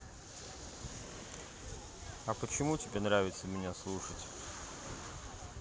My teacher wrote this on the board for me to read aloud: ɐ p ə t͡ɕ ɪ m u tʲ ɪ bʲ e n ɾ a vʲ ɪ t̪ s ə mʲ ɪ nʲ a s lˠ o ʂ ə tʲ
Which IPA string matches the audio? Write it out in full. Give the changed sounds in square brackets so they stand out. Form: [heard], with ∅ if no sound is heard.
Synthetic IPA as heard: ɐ p ə t͡ɕ ɪ m u tʲ ɪ bʲ e n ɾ a vʲ ɪ t̪ s ə mʲ ɪ nʲ a s lˠ [u] ʂ ə tʲ